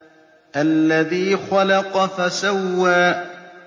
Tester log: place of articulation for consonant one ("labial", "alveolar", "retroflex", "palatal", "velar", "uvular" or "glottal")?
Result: glottal